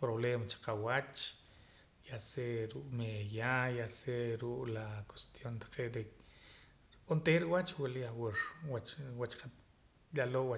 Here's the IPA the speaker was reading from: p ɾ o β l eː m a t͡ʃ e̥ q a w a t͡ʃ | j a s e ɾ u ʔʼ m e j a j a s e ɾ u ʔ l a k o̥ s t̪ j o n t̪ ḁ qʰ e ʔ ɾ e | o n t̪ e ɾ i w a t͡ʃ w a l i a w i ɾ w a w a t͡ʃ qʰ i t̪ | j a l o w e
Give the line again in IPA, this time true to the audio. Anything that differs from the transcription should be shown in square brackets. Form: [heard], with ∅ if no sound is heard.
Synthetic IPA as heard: p ɾ o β l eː m a t͡ʃ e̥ q a w a t͡ʃ | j a s e ɾ u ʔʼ m e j a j a s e ɾ u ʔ l a k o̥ s t̪ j o n t̪ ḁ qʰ e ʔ ɾ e | o n t̪ e ɾ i w a t͡ʃ w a l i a w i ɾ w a w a t͡ʃ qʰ [a] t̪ | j a l o w [a]

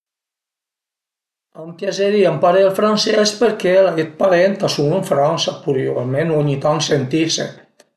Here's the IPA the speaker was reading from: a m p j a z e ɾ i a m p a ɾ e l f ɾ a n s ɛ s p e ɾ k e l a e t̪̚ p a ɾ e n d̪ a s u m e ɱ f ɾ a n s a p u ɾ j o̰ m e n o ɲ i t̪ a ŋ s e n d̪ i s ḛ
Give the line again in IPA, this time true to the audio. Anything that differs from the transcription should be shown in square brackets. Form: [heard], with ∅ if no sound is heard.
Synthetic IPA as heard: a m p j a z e ɾ i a m p a ɾ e l f ɾ a n s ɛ s p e ɾ k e l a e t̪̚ p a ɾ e n [t̪] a s u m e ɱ f ɾ a n s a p u ɾ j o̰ m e n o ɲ i t̪ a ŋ s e n [t̪] i s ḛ

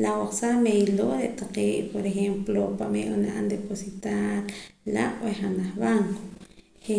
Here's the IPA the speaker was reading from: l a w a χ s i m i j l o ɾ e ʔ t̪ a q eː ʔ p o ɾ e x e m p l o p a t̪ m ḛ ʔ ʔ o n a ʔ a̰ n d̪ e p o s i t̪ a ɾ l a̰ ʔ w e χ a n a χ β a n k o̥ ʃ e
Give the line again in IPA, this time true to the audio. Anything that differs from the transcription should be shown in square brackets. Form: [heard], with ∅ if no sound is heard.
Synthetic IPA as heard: l a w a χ s [a] m [e] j l o ɾ e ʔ t̪ a q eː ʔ p o ɾ e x e m p l o p a [∅] m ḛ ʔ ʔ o n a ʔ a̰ n d̪ e p o s i t̪ a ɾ l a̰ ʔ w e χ a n a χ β a [ŋ] k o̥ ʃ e

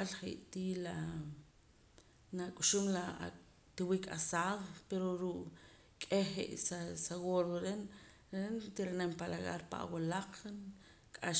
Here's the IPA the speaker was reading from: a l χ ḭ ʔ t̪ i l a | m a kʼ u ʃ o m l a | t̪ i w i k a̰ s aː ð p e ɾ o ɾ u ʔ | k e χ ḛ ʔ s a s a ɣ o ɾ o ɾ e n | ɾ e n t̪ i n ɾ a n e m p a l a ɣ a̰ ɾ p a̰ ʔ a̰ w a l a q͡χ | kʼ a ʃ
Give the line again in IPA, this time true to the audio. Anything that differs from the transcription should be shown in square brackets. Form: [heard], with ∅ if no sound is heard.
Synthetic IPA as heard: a l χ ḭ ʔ t̪ i l a | [n] a kʼ u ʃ [u] m l a | t̪ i w i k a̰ s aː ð p e ɾ o ɾ u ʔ | [kʼ] e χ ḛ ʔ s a s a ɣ o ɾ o ɾ e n | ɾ e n t̪ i [∅] ɾ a n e m p a l a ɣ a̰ ɾ p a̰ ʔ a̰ w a l a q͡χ | kʼ a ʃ

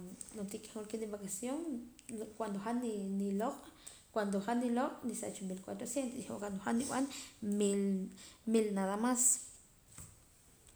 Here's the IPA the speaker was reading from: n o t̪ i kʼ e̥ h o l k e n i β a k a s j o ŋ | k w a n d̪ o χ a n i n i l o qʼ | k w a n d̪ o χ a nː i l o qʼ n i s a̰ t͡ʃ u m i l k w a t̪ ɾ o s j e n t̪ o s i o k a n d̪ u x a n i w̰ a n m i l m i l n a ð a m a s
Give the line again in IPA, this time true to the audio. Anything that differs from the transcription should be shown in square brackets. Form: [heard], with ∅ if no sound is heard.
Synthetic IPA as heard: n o t̪ i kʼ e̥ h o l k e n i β a k a s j o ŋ | k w a n d̪ o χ a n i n i l o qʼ | k w a n d̪ o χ a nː i l o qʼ n i s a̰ t͡ʃ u m i l k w a t̪ ɾ o s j e n t̪ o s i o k a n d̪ [o] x a n i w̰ a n m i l m i l n a ð a m a s

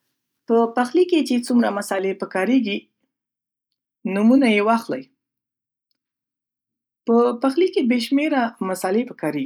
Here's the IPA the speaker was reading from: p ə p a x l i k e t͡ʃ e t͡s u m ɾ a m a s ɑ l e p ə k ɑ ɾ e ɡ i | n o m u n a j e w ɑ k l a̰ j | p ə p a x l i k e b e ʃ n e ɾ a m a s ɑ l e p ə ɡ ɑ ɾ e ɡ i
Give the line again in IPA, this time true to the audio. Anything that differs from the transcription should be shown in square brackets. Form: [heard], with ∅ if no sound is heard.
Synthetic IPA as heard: p ə p a x l i k e t͡ʃ e t͡s u m ɾ a m a s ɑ l e p ə k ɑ ɾ e ɡ i | n [u] m u n a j e w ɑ [x] l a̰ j | p ə p a x l i k e b e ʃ [m] e ɾ a m a s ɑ l e p ə [k] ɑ ɾ e ɡ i

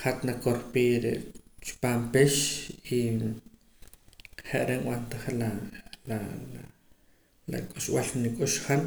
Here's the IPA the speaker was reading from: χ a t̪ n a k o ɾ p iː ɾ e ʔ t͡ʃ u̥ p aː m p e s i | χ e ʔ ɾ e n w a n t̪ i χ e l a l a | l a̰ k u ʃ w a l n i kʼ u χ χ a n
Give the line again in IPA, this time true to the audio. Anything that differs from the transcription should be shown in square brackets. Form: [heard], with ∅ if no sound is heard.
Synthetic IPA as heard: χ a t̪ n a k o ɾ p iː ɾ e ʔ t͡ʃ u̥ p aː m p e [ʃ] i | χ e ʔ ɾ e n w a n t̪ [a] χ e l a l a | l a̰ [kʼ] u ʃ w a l n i kʼ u [ʃ] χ a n

